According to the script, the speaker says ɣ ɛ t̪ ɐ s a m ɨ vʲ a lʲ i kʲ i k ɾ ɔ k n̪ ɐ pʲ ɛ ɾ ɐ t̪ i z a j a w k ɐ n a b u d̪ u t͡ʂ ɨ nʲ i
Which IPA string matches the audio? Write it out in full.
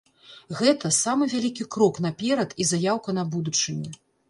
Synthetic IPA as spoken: ɣ ɛ t̪ ɐ s a m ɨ vʲ a lʲ i kʲ i k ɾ ɔ k n̪ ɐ pʲ ɛ ɾ ɐ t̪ i z a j a w k ɐ n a b u d̪ u t͡ʂ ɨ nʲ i